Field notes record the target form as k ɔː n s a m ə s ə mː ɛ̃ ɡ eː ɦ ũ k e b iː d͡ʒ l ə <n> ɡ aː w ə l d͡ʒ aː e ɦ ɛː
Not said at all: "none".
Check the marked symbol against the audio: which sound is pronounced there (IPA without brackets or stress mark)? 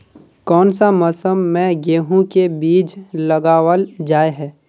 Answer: none